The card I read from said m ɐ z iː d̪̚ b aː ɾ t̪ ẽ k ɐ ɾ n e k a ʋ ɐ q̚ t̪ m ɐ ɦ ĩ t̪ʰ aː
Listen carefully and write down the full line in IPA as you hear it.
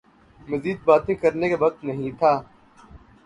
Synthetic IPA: m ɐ z iː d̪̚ b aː t̪ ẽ k ɐ ɾ n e k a ʋ ɐ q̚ t̪ n ɐ ɦ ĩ t̪ʰ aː